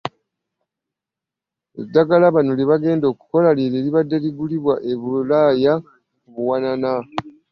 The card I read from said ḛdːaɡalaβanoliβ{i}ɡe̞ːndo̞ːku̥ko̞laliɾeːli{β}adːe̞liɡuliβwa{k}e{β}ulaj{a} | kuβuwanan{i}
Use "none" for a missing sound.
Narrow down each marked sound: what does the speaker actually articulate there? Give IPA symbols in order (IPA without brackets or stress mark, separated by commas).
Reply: a, β, ʔ, β, a, a